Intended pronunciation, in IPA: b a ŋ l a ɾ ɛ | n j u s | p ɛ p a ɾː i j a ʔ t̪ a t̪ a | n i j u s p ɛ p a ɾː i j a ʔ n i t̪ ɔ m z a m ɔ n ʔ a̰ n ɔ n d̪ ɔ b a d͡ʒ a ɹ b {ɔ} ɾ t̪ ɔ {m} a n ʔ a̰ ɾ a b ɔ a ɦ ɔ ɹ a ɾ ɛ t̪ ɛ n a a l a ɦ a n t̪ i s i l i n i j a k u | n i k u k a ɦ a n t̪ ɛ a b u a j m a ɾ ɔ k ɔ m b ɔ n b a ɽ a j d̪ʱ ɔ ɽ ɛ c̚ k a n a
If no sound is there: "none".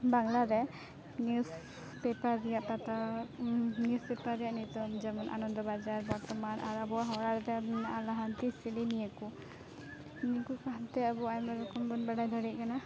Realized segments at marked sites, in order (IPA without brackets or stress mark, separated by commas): ɔ, m